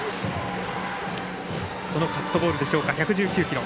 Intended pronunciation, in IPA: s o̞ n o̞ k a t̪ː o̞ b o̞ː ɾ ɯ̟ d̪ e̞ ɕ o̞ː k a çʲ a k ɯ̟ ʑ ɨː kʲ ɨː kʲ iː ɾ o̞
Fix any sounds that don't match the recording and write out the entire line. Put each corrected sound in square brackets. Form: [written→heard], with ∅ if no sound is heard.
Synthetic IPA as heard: s o̞ n o̞ k a t̪ː o̞ b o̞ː ɾ ɯ̟ d̪ e̞ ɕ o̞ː k a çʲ a k ɯ̟ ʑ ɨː kʲ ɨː kʲ [iː→i] ɾ o̞

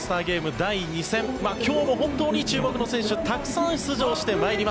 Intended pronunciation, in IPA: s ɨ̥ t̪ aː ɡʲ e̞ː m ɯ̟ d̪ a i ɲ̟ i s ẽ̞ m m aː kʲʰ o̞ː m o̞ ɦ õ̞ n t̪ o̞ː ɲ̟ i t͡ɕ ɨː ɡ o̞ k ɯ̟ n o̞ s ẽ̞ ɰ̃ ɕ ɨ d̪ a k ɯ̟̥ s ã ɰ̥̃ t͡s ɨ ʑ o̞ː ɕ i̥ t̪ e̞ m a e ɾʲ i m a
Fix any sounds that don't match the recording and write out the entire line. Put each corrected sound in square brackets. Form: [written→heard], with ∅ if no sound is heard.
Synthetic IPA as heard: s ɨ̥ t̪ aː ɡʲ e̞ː m ɯ̟ d̪ a i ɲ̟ i s ẽ̞ m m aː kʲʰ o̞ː m o̞ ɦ õ̞ n t̪ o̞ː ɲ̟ i t͡ɕ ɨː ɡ o̞ k ɯ̟ n o̞ s ẽ̞ ɰ̃ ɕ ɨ [d̪→t̪] a k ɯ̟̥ s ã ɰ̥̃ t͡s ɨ ʑ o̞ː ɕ i̥ t̪ e̞ m a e ɾʲ i m a

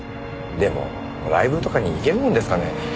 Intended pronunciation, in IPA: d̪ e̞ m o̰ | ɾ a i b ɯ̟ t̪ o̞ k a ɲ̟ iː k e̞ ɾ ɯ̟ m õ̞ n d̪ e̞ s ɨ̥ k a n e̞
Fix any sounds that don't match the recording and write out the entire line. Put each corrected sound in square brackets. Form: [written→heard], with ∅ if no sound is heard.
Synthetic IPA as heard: d̪ e̞ m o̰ | ɾ a i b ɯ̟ t̪ o̞ k a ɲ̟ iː k e̞ ɾ ɯ̟ m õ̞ n d̪ e̞ s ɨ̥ k a n e̞

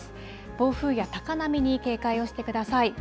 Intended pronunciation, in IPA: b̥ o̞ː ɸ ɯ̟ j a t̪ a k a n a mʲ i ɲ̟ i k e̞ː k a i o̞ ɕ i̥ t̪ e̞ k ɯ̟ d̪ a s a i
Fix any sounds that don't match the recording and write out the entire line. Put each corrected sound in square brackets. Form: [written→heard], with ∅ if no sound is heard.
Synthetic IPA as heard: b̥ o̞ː ɸ [ɯ̟→ɯ̟ː] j a t̪ a k a n a mʲ i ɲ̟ i k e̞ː k a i o̞ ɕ i̥ t̪ e̞ k ɯ̟ d̪ a s a i

